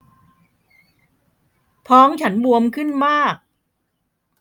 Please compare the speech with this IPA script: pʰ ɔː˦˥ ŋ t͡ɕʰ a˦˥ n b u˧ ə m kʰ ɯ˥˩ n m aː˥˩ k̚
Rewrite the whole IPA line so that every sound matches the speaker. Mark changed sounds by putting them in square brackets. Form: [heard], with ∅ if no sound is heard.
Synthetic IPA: pʰ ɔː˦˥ ŋ t͡ɕʰ a˦˥ n b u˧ ə m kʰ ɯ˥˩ n m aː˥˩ k̚